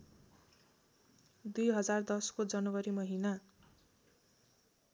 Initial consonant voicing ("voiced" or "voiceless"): voiced